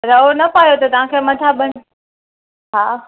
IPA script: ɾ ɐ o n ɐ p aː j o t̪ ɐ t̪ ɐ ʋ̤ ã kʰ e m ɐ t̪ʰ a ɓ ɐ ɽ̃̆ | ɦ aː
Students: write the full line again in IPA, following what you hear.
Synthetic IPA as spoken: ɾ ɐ o n ɐ p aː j o t̪ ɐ t̪ ɐ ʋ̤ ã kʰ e m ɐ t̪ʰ a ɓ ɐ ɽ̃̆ | ɦ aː